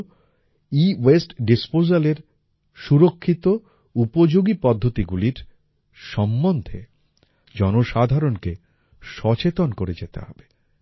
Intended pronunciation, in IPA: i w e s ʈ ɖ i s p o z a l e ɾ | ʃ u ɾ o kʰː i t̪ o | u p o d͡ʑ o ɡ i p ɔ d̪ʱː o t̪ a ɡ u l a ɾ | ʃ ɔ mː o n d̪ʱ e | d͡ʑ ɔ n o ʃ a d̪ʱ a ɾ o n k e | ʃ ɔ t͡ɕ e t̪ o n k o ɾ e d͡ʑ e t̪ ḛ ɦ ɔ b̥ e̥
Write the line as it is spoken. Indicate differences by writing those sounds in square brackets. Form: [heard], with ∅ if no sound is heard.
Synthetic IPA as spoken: i w e s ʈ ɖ i s p o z a l e ɾ | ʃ u ɾ o kʰː i t̪ o | u p o d͡ʑ o ɡ i p ɔ d̪ʱː o t̪ [i] ɡ u l [i] ɾ | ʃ ɔ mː o n d̪ʱ e | d͡ʑ ɔ n o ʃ a d̪ʱ a ɾ o n k e | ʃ ɔ t͡ɕ e t̪ o n k o ɾ e d͡ʑ e t̪ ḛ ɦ ɔ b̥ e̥